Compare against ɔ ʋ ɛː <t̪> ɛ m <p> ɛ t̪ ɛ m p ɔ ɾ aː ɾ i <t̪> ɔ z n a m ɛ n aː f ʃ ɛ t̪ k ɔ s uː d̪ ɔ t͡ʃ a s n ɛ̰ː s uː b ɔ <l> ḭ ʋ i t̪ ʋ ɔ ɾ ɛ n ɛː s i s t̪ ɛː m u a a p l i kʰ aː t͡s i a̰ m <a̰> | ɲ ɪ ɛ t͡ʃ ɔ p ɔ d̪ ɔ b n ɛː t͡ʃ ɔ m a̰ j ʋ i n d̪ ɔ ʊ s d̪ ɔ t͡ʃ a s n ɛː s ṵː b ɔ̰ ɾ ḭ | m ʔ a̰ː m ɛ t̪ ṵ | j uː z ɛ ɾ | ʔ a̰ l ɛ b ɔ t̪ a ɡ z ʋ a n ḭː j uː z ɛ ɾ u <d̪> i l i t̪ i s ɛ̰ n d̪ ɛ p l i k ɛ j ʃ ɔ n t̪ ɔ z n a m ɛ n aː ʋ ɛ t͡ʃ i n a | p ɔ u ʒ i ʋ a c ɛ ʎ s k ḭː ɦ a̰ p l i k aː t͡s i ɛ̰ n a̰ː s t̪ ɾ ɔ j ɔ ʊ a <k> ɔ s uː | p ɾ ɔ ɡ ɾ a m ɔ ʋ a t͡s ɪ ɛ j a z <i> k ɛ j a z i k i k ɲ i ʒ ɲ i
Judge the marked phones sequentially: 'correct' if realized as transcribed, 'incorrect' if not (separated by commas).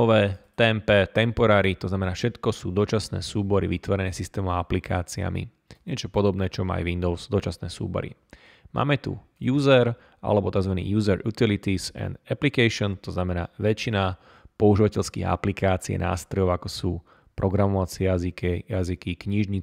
correct, correct, correct, incorrect, incorrect, incorrect, correct, correct